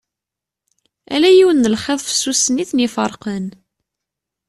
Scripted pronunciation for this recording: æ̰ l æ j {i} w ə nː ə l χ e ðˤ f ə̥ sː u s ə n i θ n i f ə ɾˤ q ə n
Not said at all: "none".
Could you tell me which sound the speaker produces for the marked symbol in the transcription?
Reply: i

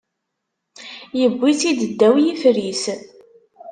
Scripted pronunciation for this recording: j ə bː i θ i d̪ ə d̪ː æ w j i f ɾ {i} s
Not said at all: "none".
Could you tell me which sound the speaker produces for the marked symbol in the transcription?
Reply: i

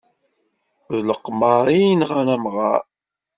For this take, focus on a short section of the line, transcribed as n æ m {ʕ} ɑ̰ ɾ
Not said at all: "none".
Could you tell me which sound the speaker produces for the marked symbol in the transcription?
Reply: ʁ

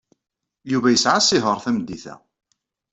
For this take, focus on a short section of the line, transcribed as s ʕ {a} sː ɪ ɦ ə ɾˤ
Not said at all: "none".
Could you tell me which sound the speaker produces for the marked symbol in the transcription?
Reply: a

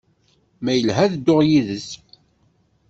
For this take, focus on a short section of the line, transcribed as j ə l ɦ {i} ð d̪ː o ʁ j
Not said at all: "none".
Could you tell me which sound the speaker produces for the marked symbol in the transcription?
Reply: æ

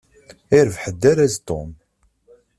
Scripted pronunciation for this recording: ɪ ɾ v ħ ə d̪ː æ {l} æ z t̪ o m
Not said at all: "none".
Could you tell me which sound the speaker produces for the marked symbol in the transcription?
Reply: ɾ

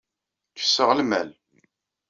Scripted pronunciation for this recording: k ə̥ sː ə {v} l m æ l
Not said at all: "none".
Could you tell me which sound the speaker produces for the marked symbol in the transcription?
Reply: ʁ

